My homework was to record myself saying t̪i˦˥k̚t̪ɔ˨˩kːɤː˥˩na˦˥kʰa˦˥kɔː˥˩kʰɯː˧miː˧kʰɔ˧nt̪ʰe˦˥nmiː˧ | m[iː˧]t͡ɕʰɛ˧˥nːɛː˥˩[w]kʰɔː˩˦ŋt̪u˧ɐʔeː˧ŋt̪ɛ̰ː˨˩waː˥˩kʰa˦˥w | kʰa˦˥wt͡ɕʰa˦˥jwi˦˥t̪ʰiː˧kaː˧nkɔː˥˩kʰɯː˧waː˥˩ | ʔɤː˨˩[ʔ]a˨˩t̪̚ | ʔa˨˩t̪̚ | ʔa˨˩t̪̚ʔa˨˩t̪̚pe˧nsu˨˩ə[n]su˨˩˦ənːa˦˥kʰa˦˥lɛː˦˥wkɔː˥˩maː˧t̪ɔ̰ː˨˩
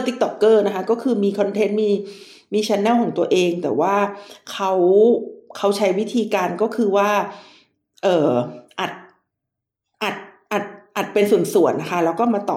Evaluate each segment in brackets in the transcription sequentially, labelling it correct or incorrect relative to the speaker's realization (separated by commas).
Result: correct, correct, correct, correct